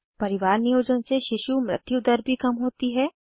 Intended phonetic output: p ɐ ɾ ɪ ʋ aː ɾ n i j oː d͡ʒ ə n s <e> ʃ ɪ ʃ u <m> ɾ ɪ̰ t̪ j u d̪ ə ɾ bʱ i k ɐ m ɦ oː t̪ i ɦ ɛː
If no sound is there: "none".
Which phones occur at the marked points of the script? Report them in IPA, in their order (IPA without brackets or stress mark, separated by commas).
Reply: e, m